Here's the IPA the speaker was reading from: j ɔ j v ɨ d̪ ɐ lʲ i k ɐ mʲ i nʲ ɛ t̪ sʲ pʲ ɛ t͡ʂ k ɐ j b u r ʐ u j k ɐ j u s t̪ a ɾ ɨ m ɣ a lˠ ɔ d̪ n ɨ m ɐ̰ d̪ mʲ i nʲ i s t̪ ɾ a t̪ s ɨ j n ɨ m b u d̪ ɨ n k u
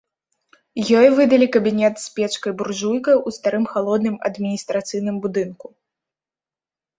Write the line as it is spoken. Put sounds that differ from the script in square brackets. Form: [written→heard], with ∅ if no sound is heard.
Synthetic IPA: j ɔ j v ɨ d̪ ɐ lʲ i k ɐ [mʲ→bʲ] i nʲ ɛ t̪ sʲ pʲ ɛ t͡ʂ k ɐ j b u r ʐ u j k ɐ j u s t̪ a ɾ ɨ m [ɣ→x] a lˠ ɔ d̪ n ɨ m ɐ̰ d̪ mʲ i nʲ i s t̪ ɾ a t̪ s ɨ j n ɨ m b u d̪ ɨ n k u